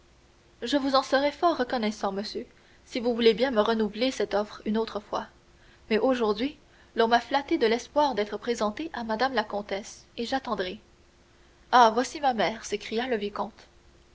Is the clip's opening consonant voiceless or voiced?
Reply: voiced